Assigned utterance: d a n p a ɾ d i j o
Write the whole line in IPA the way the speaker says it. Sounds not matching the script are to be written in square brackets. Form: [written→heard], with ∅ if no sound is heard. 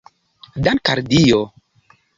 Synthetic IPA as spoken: d a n [p→k] a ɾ d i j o